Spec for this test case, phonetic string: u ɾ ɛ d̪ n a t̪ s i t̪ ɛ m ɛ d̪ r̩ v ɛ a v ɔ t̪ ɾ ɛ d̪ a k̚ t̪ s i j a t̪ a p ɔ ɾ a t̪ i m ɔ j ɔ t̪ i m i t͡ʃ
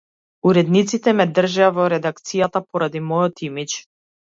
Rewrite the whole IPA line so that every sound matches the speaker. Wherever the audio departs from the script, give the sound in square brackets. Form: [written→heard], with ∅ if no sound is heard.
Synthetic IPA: u ɾ ɛ d̪ n [a→i] t̪ s i t̪ ɛ m ɛ d̪ r̩ [v→ʒ] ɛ a v ɔ [t̪→∅] ɾ ɛ d̪ a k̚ t̪ s i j a t̪ a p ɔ ɾ a [t̪→d̪] i m ɔ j ɔ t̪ i m i t͡ʃ